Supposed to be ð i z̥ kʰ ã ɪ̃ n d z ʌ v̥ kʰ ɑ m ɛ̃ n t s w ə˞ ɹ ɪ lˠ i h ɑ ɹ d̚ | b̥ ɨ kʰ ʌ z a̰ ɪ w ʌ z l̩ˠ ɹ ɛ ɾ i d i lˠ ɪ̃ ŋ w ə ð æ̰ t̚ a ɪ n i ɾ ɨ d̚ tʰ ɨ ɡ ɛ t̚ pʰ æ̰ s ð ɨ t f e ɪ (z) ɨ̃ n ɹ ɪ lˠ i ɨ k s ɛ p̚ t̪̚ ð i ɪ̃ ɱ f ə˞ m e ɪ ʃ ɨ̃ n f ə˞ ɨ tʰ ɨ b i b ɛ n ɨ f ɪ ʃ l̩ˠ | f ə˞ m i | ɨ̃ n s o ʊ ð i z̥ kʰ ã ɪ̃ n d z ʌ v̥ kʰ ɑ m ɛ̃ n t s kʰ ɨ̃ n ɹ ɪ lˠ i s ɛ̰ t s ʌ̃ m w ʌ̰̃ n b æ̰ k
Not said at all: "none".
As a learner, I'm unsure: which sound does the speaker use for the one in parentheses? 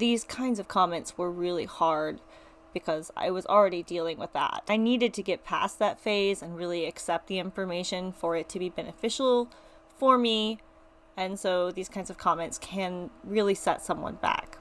z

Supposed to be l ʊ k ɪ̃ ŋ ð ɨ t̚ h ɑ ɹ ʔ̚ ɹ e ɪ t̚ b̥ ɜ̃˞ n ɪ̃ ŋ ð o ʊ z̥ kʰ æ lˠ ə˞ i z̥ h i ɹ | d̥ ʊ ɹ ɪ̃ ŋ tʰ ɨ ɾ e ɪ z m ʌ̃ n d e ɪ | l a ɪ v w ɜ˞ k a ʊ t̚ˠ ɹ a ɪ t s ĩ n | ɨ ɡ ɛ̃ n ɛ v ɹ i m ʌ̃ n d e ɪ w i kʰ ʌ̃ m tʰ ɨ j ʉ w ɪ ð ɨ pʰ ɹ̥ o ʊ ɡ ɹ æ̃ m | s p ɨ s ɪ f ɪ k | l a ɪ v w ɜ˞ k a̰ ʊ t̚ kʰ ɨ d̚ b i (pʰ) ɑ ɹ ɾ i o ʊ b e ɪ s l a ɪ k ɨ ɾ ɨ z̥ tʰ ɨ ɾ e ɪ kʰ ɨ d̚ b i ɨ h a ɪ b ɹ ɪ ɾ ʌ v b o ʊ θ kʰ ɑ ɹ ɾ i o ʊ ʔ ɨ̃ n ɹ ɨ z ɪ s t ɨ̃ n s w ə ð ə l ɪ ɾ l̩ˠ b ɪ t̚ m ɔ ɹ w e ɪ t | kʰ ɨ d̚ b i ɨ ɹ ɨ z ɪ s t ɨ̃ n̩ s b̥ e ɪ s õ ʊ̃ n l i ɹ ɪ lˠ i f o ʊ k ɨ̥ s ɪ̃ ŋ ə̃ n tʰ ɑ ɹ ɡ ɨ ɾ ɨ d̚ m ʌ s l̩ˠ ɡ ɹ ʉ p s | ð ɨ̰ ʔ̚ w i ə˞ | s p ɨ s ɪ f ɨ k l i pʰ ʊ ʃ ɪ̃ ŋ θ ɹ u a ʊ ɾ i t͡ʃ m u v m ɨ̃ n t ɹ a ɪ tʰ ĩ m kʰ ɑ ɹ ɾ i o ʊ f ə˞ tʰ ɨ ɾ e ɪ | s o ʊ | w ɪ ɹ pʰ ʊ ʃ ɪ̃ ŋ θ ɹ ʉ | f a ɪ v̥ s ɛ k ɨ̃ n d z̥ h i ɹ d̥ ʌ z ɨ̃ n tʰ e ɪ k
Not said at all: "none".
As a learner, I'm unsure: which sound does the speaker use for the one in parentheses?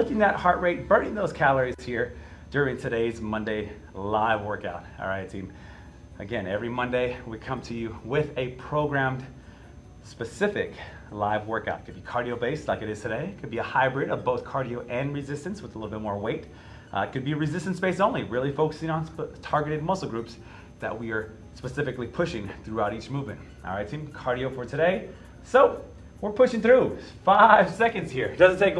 kʰ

